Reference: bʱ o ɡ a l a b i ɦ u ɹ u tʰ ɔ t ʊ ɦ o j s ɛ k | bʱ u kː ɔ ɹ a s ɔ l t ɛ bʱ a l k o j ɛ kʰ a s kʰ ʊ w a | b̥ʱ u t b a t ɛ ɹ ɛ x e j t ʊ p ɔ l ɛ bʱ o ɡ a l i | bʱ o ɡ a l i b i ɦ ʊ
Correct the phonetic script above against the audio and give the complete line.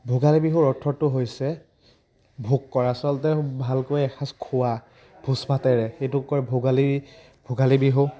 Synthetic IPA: bʱ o ɡ a l i b i ɦ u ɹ ɔ tʰ ɔ t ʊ ɦ o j s ɛ | bʱ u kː ɔ ɹ a s ɔ l t ɛ bʱ a l k o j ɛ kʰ a s kʰ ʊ w a | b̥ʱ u s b a t ɛ ɹ ɛ x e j t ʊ k ɔ ɹ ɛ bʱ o ɡ a l i | bʱ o ɡ a l i b i ɦ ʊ